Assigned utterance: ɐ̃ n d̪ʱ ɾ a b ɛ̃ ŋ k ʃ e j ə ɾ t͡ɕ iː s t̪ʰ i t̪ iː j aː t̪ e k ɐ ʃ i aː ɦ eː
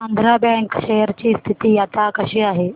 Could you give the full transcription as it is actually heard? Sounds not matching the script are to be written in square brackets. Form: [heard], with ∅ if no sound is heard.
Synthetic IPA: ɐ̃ n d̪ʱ ɾ a b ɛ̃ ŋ k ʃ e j ə ɾ t͡ɕ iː s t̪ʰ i t̪ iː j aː t̪ [a] k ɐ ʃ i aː ɦ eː